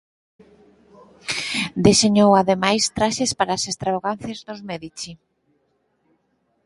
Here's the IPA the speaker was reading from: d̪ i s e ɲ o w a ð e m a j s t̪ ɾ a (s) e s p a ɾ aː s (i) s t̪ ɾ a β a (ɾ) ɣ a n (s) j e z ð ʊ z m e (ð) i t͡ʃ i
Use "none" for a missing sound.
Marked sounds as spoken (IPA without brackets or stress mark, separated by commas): ʃ, e, none, θ, ð